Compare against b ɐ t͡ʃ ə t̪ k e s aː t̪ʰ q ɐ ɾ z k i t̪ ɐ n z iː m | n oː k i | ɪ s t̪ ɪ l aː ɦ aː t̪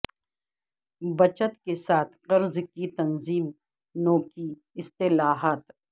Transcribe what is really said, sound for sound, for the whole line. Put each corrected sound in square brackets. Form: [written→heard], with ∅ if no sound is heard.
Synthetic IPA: b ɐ t͡ʃ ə t̪ k e s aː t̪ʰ q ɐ ɾ z k i t̪ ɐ n z iː m | n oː k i | ɪ s t̪ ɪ l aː ɦ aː t̪